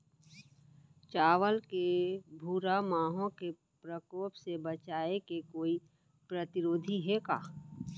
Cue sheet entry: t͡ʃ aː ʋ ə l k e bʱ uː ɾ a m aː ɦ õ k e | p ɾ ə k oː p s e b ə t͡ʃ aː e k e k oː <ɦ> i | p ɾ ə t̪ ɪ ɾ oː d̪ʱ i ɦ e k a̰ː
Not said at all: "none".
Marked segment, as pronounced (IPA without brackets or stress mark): none